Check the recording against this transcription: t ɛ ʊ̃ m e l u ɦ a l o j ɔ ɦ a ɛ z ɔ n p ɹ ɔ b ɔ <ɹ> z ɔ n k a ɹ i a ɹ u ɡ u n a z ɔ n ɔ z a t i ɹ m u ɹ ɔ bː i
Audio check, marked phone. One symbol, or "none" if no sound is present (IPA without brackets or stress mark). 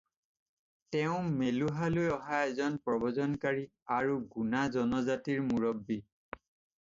none